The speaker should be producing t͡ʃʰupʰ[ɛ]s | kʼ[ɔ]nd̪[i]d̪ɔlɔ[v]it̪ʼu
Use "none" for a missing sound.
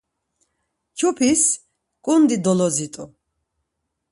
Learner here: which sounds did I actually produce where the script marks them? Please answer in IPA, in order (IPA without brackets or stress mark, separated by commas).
i, u, i, z